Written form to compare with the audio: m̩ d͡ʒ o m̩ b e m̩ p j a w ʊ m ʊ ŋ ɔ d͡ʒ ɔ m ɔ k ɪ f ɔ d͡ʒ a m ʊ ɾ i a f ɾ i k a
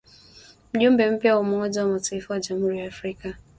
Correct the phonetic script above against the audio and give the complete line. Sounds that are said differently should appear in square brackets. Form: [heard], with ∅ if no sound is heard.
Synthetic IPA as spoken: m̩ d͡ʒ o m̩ b e m̩ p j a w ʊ m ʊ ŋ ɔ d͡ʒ ɔ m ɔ [t] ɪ f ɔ d͡ʒ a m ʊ ɾ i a f ɾ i k a